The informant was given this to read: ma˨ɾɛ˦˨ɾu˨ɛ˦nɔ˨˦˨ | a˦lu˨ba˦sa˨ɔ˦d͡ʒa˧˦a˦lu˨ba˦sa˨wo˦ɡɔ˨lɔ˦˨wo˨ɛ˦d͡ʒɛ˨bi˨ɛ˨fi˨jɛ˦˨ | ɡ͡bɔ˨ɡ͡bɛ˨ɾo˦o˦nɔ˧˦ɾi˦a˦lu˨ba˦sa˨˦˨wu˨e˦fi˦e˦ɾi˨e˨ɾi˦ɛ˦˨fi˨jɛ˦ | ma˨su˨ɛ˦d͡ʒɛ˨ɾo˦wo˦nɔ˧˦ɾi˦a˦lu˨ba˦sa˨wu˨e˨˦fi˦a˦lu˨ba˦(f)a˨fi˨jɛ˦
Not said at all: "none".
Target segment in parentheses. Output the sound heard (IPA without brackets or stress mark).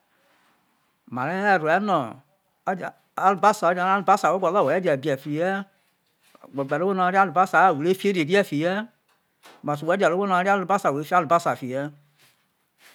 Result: s